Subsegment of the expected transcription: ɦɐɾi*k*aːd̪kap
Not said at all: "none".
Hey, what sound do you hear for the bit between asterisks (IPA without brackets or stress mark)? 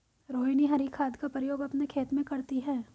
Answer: kʰ